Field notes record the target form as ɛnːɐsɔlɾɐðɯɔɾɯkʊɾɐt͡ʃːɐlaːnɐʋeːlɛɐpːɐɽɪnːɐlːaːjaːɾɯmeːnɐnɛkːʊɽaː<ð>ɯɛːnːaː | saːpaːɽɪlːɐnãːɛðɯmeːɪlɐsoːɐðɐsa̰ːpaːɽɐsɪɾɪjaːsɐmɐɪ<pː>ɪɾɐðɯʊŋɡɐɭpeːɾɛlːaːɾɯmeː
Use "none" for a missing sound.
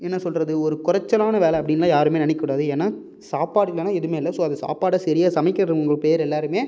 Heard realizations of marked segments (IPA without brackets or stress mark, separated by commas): ð, kː